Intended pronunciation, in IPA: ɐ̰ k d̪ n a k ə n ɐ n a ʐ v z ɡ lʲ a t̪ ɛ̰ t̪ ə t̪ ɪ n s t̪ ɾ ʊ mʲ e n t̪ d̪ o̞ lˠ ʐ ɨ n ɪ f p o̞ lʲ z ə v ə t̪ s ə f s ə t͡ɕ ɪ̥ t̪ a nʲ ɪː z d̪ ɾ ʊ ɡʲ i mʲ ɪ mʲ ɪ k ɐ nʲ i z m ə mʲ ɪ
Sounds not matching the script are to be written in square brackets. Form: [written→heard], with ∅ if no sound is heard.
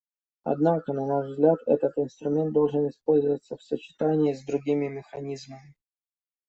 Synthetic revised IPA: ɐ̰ [k→∅] d̪ n a k ə n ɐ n a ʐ v z ɡ lʲ a t̪ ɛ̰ t̪ ə t̪ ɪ n s t̪ ɾ ʊ mʲ e n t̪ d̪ o̞ lˠ ʐ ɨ n ɪ [f→s] p o̞ lʲ z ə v ə t̪ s ə f s ə t͡ɕ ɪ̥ t̪ a nʲ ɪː z d̪ ɾ ʊ ɡʲ i mʲ ɪ mʲ ɪ [k→x] ɐ nʲ i z m ə mʲ ɪ